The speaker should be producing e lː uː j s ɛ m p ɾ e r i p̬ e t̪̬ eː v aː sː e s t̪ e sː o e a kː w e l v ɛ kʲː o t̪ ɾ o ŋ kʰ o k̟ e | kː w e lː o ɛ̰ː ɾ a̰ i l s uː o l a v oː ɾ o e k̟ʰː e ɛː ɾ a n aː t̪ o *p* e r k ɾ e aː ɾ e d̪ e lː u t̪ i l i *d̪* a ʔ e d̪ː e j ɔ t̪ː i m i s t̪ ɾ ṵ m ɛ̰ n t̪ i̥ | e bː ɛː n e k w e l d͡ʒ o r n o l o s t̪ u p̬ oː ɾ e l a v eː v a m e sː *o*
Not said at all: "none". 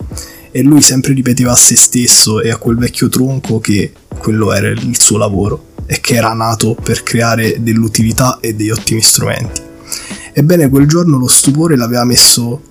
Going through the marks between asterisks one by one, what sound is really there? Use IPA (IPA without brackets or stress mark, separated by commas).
p, t̪, o